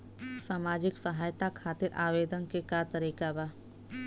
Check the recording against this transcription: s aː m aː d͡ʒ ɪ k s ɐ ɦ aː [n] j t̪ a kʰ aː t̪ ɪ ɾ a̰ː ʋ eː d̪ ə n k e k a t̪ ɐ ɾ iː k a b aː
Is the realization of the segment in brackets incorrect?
yes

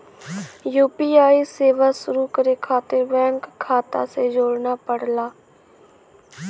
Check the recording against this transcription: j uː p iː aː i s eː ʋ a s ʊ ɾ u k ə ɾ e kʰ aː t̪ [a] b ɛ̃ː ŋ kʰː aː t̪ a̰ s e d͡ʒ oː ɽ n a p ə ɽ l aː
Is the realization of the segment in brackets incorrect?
yes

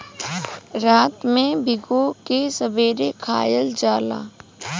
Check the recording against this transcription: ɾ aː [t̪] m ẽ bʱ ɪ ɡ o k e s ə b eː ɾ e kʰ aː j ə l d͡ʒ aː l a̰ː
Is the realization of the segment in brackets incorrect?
no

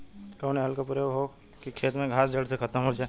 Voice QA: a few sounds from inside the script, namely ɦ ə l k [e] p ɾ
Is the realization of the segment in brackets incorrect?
yes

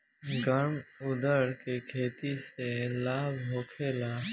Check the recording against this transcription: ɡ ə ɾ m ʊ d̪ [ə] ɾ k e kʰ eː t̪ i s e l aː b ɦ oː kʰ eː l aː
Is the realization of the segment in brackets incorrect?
no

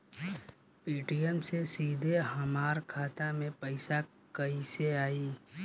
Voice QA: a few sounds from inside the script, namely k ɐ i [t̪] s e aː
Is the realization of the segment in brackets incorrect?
yes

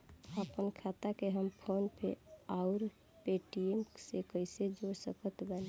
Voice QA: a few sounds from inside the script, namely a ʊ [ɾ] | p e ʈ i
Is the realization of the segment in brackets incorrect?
no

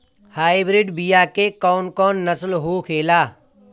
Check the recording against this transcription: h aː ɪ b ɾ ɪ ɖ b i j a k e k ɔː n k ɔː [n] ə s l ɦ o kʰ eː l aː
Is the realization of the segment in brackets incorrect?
yes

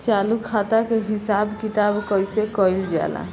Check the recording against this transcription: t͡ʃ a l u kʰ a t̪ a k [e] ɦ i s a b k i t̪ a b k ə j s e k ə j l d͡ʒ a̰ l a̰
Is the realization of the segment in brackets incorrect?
no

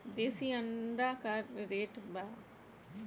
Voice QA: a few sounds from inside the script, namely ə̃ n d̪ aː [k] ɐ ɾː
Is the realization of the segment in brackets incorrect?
no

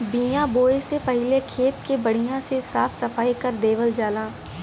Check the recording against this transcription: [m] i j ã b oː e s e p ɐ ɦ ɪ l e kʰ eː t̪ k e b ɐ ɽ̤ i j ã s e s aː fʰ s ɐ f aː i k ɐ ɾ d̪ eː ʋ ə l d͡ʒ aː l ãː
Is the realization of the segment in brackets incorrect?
yes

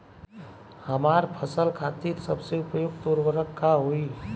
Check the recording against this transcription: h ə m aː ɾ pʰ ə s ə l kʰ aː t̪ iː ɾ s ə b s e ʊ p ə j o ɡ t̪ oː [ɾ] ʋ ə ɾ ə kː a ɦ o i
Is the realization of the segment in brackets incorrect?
no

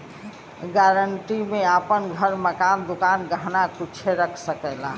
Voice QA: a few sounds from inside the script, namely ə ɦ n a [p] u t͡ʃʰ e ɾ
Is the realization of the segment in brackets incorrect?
yes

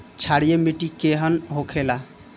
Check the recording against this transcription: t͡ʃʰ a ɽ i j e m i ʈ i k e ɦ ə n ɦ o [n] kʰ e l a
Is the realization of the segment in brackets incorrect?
yes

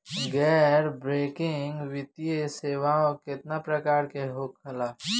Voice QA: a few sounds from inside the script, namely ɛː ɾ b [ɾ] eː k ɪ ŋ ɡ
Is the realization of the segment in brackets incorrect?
no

